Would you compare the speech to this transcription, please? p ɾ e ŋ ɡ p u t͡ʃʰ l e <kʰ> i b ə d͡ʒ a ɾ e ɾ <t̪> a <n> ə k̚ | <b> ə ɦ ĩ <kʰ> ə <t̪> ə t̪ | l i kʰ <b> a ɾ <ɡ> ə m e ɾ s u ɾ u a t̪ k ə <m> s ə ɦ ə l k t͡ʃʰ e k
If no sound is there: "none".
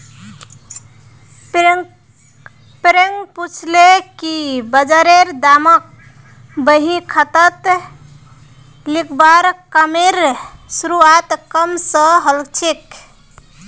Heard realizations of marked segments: k, d̪, m, b, kʰ, t̪, b, k, m

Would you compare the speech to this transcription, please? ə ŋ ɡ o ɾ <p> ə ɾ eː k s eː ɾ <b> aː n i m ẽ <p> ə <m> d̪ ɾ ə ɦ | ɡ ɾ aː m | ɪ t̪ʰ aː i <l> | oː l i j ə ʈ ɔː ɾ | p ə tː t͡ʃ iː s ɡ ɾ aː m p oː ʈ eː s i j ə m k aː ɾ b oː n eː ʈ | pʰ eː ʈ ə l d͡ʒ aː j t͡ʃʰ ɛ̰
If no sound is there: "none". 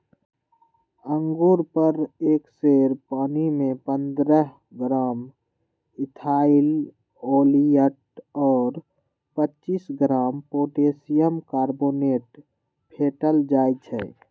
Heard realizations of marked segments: p, p, p, n, l

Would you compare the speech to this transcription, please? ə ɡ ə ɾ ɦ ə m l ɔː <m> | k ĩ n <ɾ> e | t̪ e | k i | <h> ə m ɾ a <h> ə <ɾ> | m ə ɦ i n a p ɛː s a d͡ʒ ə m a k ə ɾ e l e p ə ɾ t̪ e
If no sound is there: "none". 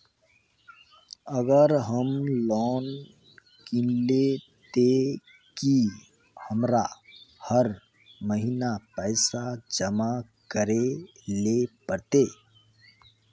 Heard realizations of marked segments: n, l, h, h, ɾ

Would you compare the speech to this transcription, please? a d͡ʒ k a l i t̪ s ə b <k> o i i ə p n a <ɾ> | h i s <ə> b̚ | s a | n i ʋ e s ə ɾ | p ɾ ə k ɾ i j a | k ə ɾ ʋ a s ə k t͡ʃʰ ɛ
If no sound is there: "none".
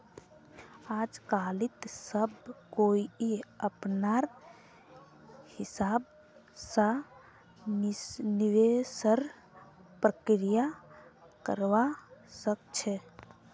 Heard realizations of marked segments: k, ɾ, a

